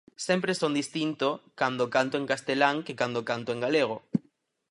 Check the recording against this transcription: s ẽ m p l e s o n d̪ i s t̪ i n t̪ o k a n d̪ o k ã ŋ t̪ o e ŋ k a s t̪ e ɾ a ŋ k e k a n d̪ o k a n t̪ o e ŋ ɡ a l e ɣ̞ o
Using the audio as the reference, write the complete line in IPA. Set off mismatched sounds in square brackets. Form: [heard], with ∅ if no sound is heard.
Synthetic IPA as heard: s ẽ m p [ɾ] e s o n d̪ i s t̪ i n t̪ o k a n d̪ o k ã [n] t̪ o e ŋ k a s t̪ e [l] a ŋ k e k a n d̪ o k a n t̪ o e ŋ ɡ a l e ɣ̞ o